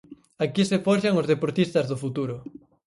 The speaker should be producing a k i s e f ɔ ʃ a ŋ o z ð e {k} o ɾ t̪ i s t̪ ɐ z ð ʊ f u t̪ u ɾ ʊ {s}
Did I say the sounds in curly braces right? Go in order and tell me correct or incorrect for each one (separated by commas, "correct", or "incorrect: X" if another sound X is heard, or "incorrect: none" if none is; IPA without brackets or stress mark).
incorrect: p, incorrect: none